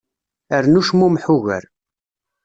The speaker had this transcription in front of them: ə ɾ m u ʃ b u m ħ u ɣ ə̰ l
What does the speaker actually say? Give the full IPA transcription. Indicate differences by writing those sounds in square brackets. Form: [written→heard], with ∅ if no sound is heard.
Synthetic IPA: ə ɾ [m→n] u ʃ [b→m] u m ħ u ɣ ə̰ [l→ɾ]